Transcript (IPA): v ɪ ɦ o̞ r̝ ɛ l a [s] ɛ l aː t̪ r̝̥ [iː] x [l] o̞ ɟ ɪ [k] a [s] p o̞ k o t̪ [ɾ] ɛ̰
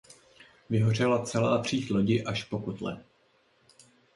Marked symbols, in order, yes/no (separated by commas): no, yes, yes, no, no, no